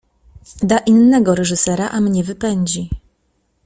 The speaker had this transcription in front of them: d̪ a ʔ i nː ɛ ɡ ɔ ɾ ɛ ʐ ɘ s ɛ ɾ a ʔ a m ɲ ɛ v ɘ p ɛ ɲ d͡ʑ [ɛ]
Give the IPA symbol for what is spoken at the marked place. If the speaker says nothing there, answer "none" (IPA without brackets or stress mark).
i